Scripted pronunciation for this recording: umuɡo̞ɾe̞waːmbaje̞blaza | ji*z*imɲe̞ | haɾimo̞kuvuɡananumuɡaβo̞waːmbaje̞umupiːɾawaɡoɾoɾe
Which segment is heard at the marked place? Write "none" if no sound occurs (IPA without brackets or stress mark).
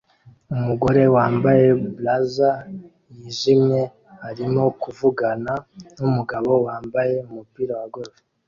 ʒ